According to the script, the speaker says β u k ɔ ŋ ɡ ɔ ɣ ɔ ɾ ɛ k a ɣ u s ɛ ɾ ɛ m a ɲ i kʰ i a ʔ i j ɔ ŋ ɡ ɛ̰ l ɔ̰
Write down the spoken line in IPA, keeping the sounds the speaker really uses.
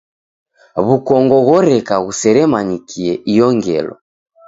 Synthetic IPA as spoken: β u k ɔ ŋ ɡ ɔ ɣ ɔ ɾ ɛ k a ɣ u s ɛ ɾ ɛ m a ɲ i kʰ i ɛ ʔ i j ɔ ŋ ɡ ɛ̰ l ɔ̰